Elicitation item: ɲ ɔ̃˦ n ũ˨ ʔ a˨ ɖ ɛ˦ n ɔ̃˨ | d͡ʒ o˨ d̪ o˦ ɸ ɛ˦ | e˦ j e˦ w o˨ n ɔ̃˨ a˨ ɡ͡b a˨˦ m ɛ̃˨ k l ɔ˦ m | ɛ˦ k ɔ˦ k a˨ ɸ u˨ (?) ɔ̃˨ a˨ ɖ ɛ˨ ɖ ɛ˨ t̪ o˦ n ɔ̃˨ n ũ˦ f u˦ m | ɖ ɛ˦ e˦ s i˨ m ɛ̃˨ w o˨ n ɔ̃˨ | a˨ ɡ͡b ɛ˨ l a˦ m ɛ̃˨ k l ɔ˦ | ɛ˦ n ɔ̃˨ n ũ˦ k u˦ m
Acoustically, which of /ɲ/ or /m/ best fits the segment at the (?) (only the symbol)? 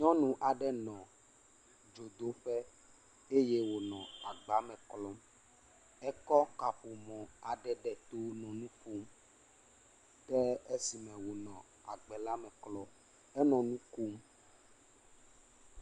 m